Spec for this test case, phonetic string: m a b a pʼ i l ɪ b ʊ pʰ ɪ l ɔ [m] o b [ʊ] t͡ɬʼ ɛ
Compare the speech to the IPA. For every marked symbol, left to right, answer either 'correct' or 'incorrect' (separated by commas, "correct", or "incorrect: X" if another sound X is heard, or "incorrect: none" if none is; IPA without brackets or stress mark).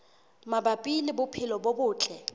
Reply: incorrect: b, incorrect: ʊː